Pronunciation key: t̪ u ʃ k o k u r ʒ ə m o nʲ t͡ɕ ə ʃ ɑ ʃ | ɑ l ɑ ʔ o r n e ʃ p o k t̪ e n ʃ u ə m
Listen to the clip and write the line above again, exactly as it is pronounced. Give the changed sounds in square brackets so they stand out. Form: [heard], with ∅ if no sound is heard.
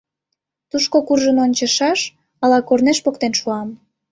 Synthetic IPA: t̪ u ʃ k o k u r ʒ ə [n] o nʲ t͡ɕ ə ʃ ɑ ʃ | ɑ l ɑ [k] o r n e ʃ p o k t̪ e n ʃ u [ɑ] m

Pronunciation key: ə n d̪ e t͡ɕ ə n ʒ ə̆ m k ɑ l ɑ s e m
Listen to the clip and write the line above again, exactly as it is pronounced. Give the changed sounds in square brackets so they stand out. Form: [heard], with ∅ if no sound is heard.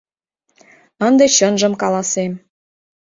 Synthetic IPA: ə n d̪ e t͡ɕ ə n ʒ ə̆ m k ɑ l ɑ s e m

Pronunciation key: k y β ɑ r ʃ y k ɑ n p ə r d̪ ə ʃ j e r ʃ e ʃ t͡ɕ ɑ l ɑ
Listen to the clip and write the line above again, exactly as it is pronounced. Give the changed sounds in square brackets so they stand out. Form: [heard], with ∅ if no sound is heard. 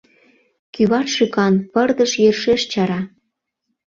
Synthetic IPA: k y β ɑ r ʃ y k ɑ n p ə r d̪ ə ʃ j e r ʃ e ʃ t͡ɕ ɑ [ɾ] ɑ

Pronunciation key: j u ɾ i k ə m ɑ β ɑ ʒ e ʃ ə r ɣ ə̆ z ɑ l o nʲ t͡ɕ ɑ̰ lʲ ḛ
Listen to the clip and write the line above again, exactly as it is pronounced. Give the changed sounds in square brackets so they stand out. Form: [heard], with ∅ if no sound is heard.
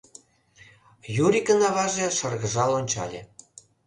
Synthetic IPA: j u ɾ i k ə [n] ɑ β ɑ ʒ e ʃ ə r ɣ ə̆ [ʒ] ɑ l o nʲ t͡ɕ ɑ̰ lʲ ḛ

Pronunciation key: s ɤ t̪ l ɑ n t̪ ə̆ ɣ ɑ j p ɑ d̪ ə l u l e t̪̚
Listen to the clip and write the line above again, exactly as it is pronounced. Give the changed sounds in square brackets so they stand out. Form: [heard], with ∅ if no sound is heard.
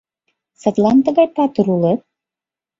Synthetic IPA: s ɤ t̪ l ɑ n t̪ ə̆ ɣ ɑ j p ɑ [t̪] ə [ɾ] u l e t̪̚

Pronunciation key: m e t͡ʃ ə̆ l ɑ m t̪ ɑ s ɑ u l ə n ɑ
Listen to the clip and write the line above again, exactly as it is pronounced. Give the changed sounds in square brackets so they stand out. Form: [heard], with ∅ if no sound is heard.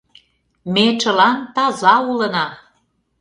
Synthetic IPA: m e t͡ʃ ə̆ l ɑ [n] t̪ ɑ [z] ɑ u l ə n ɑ

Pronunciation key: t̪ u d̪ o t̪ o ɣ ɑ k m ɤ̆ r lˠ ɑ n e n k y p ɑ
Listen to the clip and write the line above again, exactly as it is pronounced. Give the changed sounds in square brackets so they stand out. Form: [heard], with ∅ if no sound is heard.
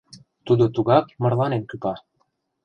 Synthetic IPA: t̪ u d̪ o t̪ [u] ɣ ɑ k m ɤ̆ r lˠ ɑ n e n k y p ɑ

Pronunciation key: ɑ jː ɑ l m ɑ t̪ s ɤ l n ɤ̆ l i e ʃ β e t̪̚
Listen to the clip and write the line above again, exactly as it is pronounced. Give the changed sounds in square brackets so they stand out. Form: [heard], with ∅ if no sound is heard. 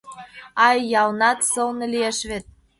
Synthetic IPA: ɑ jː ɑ l [n] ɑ t̪ s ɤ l n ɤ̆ l i e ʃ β e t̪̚

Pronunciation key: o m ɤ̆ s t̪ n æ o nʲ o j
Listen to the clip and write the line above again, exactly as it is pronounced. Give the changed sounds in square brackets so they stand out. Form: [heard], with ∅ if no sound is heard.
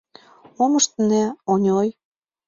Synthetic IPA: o m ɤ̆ [ʃ] t̪ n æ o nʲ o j

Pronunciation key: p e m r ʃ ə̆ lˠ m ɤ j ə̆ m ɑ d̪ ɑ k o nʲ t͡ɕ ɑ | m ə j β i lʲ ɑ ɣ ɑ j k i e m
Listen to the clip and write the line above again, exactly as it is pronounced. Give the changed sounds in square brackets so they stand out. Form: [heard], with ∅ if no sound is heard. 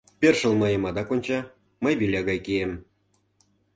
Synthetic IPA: p e [∅] r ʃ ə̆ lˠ m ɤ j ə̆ m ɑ d̪ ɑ k o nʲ t͡ɕ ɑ | m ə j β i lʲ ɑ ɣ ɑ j k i e m

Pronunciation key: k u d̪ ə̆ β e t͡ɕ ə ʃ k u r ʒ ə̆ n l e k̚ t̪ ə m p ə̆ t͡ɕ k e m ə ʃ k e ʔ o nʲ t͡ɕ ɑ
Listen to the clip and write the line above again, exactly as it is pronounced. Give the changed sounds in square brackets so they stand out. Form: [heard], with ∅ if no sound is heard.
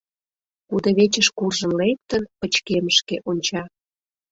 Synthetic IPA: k u d̪ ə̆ β e t͡ɕ ə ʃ k u r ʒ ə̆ n l e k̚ t̪ ə [n] p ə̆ t͡ɕ k e m ə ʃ k e ʔ o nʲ t͡ɕ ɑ

